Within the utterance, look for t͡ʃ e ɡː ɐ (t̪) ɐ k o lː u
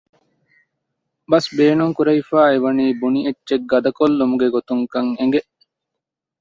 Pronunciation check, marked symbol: incorrect: d̪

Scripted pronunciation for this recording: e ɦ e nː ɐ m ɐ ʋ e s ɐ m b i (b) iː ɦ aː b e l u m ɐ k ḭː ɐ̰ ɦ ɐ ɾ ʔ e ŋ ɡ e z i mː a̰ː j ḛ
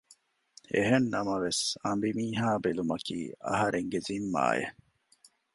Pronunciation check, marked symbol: incorrect: m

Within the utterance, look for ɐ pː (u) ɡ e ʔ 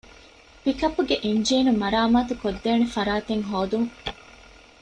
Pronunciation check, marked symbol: correct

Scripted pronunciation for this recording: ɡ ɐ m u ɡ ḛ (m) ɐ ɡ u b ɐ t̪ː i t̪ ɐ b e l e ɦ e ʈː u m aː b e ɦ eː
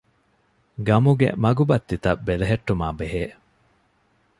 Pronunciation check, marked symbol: correct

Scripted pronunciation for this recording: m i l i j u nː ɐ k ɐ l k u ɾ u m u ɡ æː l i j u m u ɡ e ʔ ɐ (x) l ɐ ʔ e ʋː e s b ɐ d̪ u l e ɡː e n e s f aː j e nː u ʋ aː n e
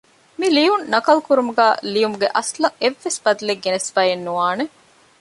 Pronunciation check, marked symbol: incorrect: s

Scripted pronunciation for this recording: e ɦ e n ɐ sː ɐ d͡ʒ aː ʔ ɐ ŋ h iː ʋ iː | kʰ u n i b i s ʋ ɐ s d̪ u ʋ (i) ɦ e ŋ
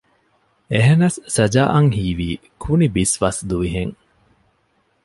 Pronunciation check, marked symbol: correct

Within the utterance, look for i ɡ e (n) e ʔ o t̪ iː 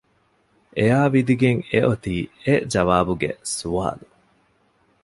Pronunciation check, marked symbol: incorrect: ŋ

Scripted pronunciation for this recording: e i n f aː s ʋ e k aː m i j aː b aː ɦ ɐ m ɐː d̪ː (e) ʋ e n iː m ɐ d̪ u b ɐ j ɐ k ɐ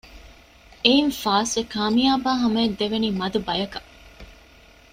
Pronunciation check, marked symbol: correct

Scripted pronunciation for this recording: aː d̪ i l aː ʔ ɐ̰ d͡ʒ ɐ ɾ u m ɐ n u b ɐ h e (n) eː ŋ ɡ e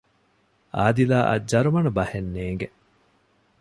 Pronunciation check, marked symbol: incorrect: nː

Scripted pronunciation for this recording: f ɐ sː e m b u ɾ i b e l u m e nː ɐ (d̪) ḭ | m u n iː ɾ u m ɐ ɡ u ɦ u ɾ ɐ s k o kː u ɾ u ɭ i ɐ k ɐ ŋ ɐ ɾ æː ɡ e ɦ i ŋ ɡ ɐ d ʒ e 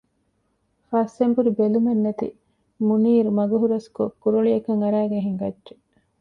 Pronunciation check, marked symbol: incorrect: t̪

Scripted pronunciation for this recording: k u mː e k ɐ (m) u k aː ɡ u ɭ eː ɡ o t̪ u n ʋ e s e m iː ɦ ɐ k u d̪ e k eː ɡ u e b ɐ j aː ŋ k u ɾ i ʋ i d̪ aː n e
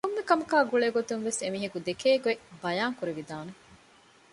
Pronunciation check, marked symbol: correct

